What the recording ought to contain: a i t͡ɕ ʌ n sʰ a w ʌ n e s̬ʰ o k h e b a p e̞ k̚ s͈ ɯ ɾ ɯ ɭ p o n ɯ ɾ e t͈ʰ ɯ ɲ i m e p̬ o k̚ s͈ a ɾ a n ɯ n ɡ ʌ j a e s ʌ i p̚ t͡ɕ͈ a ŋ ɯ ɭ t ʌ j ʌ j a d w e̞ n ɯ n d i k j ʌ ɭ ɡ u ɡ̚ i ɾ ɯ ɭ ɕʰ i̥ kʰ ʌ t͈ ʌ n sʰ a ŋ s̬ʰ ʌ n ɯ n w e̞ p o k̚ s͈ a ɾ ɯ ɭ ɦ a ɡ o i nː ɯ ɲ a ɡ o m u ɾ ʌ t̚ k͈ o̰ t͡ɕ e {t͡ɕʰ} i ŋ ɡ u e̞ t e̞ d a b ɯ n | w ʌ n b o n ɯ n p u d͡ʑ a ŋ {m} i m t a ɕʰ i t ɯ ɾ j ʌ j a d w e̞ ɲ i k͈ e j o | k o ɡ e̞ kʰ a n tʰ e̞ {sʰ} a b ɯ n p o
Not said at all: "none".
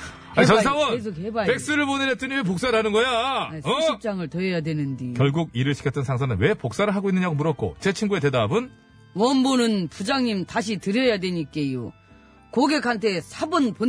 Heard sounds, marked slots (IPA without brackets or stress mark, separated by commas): t͡ɕʰ, ɲ, sʰ